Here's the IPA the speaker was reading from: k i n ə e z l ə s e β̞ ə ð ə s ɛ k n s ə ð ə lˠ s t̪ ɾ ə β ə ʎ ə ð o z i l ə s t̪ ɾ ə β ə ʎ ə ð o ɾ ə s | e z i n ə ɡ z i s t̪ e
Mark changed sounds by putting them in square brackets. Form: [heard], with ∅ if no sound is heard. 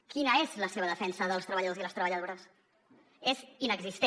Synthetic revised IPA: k i n ə e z l ə s e β̞ ə ð ə [f] ɛ [∅] n s ə ð ə lˠ s t̪ ɾ ə β ə ʎ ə ð o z i l ə s t̪ ɾ ə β ə ʎ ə ð o ɾ ə s | e z i n ə ɡ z i s t̪ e